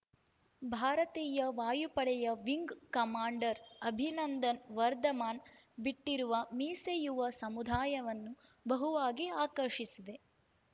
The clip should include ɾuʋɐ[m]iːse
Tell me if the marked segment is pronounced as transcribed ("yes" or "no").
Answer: yes